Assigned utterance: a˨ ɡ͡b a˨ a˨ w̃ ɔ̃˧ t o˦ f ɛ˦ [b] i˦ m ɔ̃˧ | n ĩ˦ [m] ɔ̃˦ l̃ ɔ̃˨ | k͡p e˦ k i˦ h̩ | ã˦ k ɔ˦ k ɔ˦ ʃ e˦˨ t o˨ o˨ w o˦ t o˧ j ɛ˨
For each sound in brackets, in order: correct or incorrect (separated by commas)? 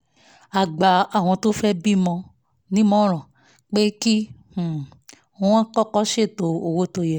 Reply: correct, correct